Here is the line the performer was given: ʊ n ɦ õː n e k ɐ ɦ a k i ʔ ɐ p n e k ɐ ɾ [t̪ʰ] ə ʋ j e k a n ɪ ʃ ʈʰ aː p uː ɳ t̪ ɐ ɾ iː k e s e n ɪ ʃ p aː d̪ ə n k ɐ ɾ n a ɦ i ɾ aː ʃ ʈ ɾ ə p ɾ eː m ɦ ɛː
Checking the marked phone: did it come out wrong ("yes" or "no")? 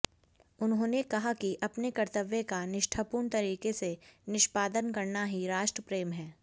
yes